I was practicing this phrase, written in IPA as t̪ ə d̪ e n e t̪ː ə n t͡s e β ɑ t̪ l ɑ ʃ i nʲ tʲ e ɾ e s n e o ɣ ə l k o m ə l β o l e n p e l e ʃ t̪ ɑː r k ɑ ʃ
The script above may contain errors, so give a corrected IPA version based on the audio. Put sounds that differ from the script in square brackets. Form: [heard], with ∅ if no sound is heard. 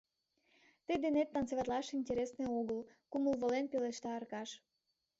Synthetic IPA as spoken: t̪ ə d̪ e n e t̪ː [ɑ] n t͡s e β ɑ t̪ l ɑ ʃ i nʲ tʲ e ɾ e s n e o ɣ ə l k [u] m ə l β o l e n p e l e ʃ t̪ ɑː r k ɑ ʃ